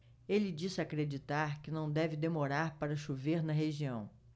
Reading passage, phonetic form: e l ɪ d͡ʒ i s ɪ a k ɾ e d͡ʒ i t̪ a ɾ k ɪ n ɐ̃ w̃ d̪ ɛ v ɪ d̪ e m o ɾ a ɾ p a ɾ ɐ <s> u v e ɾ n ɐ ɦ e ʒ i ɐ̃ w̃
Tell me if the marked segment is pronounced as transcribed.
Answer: no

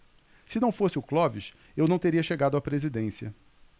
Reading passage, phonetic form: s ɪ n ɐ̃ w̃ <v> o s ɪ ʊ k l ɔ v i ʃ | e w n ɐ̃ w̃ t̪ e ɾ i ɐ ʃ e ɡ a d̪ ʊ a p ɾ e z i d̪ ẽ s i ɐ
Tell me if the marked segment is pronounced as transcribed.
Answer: no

